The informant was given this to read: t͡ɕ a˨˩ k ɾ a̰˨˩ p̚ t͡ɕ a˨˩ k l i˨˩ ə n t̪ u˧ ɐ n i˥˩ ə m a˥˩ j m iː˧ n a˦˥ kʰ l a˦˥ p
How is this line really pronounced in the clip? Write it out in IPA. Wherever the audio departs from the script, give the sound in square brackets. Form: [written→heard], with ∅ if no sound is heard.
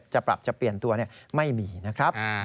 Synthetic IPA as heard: t͡ɕ a˨˩ [k→p] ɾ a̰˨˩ p̚ t͡ɕ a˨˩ [k→p] l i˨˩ ə n t̪ u˧ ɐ n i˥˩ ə m a˥˩ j m iː˧ n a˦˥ kʰ [l→ɾ] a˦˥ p